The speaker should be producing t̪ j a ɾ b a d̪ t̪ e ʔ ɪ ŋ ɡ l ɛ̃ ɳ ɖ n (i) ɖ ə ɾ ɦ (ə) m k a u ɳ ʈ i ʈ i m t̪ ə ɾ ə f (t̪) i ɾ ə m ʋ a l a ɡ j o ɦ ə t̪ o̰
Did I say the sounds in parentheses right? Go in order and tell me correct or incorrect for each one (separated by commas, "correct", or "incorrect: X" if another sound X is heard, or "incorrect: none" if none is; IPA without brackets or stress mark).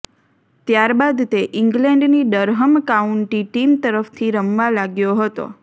correct, correct, incorrect: t̪ʰ